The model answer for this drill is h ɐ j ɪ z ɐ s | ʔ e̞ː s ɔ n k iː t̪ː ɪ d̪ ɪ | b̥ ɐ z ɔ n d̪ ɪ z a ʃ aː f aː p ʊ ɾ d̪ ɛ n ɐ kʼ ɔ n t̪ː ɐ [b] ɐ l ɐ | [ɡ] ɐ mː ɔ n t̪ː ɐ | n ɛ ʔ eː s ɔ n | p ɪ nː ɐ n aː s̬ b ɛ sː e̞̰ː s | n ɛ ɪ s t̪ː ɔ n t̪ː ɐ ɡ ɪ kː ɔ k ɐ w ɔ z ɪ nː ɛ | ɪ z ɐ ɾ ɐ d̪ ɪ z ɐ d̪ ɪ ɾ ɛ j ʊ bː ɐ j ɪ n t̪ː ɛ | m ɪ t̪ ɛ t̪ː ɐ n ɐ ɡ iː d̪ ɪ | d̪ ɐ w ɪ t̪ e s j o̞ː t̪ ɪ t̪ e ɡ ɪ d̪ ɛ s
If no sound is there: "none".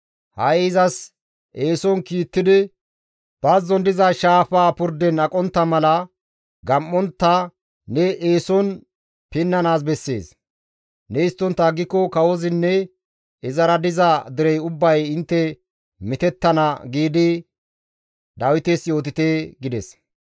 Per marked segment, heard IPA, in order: m, ɡ

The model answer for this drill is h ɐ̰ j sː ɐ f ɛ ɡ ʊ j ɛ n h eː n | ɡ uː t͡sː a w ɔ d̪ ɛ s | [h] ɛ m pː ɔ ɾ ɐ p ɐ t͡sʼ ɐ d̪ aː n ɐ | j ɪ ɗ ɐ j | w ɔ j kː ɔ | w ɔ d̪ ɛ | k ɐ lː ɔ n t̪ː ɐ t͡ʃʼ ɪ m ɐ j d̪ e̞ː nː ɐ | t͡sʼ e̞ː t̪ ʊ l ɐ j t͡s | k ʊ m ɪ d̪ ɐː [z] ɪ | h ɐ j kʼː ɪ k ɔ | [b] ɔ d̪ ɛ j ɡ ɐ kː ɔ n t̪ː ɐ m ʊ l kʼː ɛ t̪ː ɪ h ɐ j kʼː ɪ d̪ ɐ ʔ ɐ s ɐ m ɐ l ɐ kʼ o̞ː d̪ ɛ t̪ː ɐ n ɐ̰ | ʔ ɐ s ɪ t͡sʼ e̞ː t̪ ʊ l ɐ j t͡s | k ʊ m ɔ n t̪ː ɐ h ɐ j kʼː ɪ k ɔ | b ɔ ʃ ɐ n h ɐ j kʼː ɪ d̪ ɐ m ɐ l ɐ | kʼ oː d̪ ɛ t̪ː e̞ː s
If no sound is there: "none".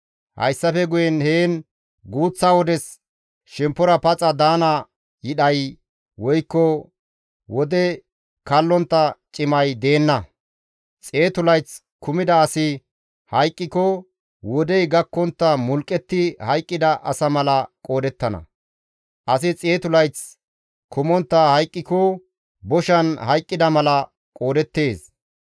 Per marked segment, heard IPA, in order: ʃ, s, w

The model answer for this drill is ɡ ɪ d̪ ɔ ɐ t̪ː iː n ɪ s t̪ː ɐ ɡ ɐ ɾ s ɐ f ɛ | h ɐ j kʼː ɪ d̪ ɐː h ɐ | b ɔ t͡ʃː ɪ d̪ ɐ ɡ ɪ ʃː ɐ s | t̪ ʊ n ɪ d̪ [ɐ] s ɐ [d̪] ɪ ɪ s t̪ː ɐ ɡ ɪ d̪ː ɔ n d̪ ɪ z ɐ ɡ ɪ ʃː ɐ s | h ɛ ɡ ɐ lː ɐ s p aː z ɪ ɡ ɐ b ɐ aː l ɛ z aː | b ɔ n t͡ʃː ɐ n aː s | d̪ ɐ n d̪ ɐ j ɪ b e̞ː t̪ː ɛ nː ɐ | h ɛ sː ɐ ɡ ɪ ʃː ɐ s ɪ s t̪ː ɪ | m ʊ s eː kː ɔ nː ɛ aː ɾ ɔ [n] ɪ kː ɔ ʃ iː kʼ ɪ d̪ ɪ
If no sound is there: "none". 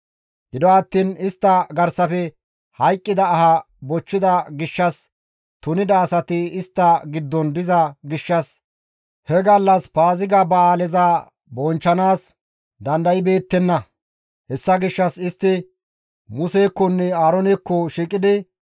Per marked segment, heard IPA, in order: ɐː, t̪, n

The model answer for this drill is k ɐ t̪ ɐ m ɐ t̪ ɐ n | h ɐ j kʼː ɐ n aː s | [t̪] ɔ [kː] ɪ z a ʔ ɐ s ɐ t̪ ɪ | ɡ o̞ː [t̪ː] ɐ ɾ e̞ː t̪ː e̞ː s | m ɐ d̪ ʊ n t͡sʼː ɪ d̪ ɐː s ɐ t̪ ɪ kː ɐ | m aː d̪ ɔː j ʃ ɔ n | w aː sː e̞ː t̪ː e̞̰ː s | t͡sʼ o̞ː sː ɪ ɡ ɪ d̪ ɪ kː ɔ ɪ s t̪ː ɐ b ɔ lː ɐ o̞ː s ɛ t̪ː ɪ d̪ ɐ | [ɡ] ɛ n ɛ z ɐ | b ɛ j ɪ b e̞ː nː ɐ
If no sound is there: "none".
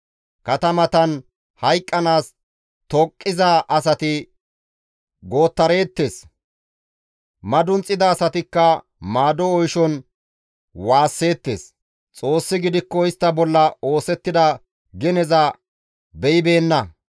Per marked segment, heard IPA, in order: t̪, kʼː, t̪ː, ɡ

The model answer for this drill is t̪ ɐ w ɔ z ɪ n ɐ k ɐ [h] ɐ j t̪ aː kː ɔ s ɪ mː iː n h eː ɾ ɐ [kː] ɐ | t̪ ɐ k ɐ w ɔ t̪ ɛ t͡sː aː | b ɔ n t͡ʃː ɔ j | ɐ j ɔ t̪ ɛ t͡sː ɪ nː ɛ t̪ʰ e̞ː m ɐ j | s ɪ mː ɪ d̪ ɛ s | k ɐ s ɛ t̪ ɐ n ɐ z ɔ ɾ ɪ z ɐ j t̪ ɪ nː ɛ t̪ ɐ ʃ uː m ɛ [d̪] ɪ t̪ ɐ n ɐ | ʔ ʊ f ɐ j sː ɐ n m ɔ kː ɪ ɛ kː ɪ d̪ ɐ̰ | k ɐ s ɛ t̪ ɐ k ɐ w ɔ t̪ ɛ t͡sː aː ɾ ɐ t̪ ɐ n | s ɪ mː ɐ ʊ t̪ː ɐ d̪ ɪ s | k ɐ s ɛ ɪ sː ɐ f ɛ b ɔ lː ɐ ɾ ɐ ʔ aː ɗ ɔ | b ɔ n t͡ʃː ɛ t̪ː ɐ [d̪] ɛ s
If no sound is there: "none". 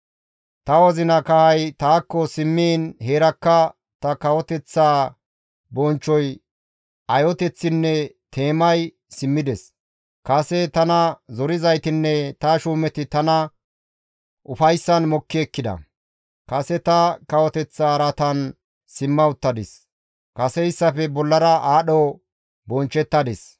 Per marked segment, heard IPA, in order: h, kː, t̪, d̪

